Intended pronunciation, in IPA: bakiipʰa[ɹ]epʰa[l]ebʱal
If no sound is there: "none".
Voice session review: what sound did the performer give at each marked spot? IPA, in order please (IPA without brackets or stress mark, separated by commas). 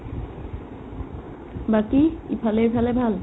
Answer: l, l